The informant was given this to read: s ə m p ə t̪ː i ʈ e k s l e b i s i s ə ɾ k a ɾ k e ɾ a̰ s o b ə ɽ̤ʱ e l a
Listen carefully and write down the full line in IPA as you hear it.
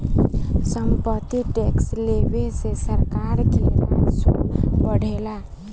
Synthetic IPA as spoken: s ə m p ə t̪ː i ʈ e k s l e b e s e s ə ɾ k a ɾ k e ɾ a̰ s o b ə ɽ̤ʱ e l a